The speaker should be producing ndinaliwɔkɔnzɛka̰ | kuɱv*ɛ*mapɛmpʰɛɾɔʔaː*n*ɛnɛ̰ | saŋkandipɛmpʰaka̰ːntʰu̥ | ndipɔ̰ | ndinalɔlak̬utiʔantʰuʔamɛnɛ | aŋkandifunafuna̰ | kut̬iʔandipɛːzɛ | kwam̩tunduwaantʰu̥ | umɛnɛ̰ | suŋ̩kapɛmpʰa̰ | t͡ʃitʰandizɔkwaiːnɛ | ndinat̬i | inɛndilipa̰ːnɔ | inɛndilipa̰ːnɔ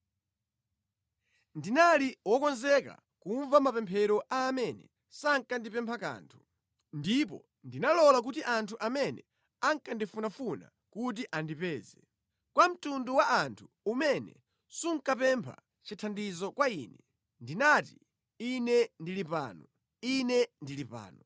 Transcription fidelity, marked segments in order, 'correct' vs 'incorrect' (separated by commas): incorrect, incorrect